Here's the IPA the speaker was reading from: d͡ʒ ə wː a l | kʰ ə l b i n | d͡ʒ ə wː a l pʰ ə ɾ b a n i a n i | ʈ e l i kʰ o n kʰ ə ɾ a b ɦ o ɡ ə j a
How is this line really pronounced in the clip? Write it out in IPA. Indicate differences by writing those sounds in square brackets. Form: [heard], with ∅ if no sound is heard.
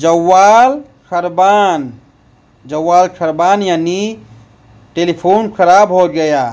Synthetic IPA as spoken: d͡ʒ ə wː a l | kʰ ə [ɾ] b [a] n | d͡ʒ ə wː a l [kʰ] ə ɾ b a n [j] a n i | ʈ e l i [pʰ] o n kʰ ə ɾ a b ɦ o ɡ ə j a